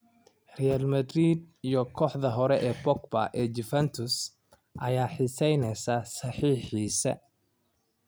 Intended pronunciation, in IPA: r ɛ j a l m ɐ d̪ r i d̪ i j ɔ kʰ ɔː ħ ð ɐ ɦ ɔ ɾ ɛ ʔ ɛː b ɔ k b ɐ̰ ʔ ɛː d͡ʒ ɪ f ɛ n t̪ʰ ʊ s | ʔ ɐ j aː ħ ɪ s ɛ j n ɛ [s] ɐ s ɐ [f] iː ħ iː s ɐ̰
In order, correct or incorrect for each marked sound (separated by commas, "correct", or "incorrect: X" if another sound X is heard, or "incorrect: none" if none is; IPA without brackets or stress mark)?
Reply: correct, incorrect: ħ